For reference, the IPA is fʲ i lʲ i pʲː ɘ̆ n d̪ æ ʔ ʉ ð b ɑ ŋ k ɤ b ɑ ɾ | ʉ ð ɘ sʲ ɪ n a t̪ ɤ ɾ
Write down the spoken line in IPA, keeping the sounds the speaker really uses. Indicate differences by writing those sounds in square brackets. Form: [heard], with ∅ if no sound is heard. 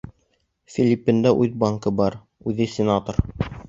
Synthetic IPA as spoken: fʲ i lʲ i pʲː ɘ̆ n d̪ æ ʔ ʉ ð b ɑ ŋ k ɤ b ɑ ɾ | ʉ ð ɘ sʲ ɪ n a t̪ [o] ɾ